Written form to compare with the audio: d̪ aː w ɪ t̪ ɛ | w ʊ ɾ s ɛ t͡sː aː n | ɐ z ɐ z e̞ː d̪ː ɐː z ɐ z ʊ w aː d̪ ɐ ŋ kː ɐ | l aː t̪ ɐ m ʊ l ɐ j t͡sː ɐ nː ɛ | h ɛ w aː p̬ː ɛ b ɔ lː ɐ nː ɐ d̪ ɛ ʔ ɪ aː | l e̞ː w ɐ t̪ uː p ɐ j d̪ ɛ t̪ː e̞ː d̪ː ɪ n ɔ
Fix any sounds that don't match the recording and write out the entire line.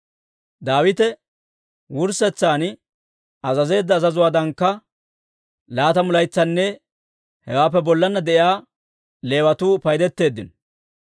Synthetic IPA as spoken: d̪ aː w ɪ t̪ ɛ | w ʊ ɾ s ɛ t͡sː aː n | ɐ z ɐ z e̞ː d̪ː ɐː z ɐ z ʊ w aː d̪ ɐ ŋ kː ɐ | l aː t̪ ɐ m ʊ l ɐ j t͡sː ɐ nː ɛ | h ɛ w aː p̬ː ɛ b ɔ lː ɐ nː ɐ d̪ ɛ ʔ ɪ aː | l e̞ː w ɐ t̪ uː p ɐ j d̪ ɛ t̪ː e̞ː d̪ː ɪ n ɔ